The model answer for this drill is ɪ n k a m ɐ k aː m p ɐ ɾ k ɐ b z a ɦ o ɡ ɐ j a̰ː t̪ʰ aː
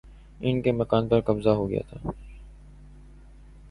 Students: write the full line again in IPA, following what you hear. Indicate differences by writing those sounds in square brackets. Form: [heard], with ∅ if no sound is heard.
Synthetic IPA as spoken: ɪ n k [e] m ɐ k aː [n] p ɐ ɾ k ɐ b z a ɦ o ɡ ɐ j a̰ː t̪ʰ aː